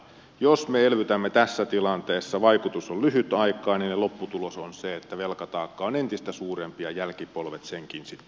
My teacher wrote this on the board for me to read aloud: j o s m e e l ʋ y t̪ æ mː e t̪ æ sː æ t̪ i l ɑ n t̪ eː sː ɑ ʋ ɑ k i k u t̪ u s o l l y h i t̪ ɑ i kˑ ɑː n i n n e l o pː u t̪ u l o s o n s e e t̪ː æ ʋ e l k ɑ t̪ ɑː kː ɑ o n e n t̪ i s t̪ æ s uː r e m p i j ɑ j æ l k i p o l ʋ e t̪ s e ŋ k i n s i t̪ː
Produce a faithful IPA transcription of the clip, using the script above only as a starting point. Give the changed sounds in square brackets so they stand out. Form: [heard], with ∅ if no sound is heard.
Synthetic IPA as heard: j o s m e e l ʋ y t̪ æ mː e t̪ æ sː æ t̪ i l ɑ n t̪ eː sː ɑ ʋ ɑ [∅] i k u t̪ u s o l l y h [y] t̪ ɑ i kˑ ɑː n i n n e l o pː u t̪ u l o s o n s e e t̪ː æ ʋ e l k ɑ t̪ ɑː kː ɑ o n e n t̪ i s t̪ æ s uː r e m p i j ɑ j æ l k i p o l ʋ e t̪ s e ŋ k i n s i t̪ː